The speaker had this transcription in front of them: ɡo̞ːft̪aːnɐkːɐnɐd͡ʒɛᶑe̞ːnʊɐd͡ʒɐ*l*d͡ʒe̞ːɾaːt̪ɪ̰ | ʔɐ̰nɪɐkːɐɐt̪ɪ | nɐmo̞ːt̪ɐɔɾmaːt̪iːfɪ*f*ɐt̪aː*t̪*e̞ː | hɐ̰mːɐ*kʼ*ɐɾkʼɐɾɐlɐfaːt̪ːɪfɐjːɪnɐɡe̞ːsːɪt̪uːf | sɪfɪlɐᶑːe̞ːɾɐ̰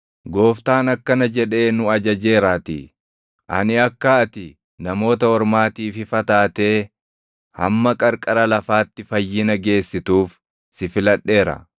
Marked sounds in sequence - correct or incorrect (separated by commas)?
incorrect, correct, correct, correct